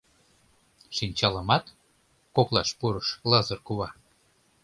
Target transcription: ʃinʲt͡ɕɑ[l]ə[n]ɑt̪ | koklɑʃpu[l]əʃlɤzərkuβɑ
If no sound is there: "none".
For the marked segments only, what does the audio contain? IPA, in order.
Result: l, m, ɾ

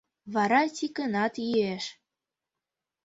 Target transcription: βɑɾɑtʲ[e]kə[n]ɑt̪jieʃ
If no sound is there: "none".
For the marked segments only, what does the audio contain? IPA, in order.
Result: i, n

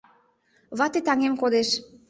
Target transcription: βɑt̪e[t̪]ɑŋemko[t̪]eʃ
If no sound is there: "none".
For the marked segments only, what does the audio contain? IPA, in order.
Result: t̪, d̪

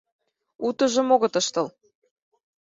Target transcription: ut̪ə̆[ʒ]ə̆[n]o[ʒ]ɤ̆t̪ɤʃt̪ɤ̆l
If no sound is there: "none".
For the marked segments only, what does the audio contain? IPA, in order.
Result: ʒ, m, ɣ

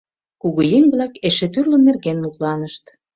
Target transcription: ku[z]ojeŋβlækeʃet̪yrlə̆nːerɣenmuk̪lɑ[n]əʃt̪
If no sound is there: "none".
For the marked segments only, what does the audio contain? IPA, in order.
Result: ɣ, n

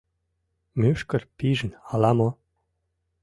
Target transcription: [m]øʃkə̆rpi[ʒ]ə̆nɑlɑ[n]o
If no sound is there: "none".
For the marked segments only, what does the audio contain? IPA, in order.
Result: m, ʒ, m

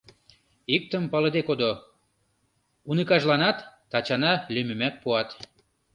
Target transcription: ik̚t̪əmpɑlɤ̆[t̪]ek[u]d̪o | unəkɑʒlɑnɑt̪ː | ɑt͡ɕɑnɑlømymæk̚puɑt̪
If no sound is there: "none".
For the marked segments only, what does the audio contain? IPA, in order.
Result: d̪, o

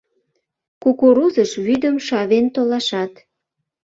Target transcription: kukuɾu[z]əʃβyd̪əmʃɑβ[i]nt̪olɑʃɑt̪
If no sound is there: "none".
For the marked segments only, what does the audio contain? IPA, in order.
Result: z, e

